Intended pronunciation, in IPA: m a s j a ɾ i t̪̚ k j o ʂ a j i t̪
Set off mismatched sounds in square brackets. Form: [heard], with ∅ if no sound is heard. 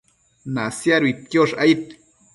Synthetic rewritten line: [n] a s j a ɾ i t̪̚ k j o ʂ a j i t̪